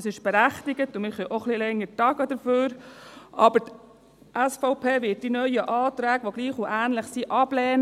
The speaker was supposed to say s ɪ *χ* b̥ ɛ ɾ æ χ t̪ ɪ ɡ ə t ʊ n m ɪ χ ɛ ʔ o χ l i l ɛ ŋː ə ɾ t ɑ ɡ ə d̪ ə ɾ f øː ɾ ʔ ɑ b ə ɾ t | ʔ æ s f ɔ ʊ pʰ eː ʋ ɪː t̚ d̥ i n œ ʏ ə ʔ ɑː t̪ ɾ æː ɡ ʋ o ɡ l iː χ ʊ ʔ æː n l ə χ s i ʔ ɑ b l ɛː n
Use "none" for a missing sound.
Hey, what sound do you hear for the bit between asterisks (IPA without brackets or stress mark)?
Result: ʃ